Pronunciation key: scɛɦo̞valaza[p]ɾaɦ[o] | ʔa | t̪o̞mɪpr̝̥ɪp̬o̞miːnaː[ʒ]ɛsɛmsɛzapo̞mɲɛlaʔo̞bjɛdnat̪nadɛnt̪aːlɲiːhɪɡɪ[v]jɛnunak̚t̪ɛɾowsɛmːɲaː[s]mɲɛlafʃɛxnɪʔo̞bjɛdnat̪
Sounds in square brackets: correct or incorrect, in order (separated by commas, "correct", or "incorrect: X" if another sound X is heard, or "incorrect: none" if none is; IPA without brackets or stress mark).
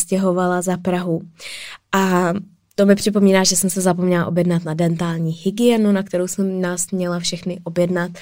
correct, incorrect: u, correct, incorrect: none, correct